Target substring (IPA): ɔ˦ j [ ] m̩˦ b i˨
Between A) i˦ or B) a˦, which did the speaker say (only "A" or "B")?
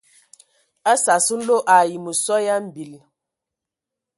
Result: B